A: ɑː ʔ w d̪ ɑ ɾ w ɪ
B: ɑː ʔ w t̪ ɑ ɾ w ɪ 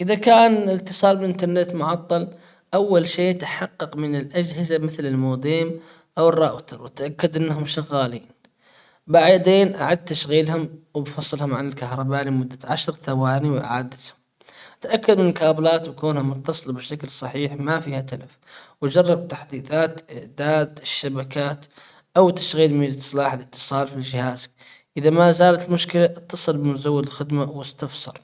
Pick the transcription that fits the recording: B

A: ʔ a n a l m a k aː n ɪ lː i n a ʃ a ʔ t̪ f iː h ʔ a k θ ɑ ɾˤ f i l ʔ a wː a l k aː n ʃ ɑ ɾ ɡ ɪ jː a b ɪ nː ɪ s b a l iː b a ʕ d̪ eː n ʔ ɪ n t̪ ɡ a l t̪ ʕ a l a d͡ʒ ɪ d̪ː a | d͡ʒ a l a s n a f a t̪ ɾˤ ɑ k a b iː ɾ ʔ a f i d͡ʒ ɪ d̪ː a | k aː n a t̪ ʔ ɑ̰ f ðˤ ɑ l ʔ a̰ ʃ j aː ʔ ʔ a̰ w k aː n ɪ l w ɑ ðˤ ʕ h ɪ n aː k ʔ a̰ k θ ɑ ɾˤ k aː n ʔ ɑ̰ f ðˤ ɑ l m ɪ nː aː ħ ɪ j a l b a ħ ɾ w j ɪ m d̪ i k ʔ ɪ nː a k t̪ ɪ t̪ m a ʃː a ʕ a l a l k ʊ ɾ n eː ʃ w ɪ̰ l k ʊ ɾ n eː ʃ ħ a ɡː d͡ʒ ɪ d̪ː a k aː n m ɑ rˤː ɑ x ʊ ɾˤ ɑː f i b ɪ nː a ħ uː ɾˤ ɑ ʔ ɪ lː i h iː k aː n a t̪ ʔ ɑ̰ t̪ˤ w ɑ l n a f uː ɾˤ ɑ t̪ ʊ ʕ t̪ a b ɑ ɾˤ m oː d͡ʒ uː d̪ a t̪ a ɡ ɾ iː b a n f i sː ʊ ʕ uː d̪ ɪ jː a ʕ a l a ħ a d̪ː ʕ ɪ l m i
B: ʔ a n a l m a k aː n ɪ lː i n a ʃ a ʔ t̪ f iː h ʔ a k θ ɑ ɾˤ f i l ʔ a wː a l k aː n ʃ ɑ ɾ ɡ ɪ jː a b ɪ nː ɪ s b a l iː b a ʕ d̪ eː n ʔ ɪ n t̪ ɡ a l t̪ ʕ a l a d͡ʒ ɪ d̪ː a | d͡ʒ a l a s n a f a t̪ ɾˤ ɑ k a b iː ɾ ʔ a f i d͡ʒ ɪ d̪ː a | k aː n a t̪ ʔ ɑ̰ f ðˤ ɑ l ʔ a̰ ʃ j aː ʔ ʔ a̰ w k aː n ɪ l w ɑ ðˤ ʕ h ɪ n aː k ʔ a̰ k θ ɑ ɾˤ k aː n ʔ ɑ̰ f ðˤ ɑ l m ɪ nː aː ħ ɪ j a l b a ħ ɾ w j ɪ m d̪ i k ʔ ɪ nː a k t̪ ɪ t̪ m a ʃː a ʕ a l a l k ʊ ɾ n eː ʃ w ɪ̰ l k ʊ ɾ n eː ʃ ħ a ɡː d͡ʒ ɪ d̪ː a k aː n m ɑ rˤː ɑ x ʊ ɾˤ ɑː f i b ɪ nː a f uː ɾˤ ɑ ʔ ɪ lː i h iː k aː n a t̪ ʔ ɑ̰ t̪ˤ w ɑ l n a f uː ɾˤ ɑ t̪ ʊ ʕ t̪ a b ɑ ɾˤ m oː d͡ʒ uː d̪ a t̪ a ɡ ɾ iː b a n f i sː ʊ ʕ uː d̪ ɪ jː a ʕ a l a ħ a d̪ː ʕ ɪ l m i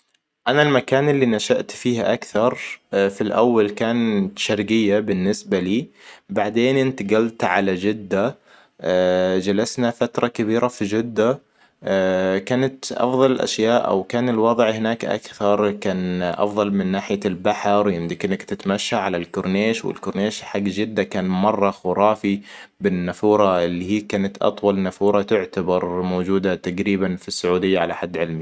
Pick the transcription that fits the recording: B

